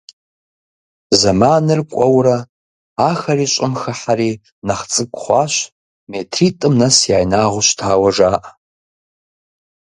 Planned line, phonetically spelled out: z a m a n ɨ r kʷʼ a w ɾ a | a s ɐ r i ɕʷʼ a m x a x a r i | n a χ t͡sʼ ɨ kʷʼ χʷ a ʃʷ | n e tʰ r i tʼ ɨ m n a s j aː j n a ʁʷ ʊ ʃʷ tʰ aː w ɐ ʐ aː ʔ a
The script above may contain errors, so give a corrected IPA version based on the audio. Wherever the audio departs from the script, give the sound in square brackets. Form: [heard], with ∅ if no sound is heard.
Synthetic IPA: z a m a n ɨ r kʷʼ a w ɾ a | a [x] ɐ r i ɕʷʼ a m x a [ħ] a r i | n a χ t͡sʼ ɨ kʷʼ χʷ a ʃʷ | [m] e tʰ r i tʼ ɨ m n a s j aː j n a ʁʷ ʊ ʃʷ tʰ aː w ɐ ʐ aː ʔ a